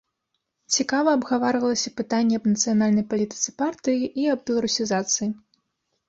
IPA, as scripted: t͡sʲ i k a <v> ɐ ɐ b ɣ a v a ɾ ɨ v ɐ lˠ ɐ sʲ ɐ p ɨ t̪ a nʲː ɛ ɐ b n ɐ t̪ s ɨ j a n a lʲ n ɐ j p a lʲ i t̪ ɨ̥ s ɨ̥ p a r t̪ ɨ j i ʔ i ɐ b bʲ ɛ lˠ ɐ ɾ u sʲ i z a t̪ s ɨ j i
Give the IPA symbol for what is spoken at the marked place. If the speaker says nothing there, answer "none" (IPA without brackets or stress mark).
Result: v